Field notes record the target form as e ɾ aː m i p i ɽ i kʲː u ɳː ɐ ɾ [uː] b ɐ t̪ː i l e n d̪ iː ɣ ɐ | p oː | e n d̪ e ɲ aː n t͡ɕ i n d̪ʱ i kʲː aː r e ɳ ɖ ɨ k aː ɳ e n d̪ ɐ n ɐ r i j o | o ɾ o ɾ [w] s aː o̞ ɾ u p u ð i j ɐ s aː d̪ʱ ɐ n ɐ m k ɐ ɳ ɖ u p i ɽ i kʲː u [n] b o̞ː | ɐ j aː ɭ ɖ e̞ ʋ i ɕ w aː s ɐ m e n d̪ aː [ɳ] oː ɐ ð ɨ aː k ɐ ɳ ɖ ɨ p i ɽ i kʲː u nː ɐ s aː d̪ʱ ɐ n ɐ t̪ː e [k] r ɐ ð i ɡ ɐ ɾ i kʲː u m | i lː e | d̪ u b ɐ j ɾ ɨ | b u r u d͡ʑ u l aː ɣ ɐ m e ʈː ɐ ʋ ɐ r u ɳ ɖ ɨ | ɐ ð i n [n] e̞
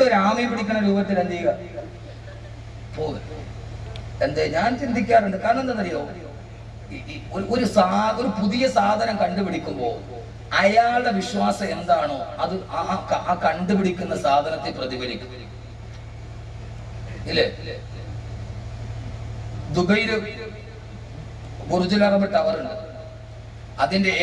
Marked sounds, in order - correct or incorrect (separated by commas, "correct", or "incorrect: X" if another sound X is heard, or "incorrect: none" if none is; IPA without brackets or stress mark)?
correct, incorrect: u, incorrect: m, correct, incorrect: p, incorrect: d